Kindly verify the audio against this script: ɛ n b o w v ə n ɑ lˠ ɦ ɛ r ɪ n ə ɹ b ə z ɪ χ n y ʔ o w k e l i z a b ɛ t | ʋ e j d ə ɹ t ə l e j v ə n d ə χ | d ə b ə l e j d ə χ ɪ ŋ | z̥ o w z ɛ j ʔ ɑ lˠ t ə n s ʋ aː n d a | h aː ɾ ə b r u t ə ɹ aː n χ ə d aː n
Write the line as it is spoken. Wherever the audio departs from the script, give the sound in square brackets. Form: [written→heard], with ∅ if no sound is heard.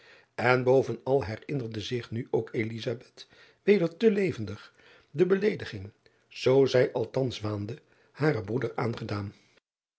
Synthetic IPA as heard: ɛ n b o w v ə n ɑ lˠ ɦ ɛ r ɪ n ə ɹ [b→d] ə z ɪ χ n y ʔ o w k e l i z a b ɛ t | ʋ e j d ə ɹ t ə l e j v ə n d ə χ | d ə b ə l e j d ə χ ɪ ŋ | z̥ o w z ɛ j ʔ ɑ lˠ t [ə→ɑ] n s ʋ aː n d [a→ə] | h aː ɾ ə b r u [t→d] ə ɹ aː n χ ə d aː n